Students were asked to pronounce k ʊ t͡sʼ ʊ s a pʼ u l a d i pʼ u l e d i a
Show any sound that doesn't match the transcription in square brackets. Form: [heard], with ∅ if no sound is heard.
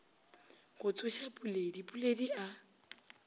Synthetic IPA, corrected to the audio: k ʊ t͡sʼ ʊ [ʃ] a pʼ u l [e] d i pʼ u l e d i a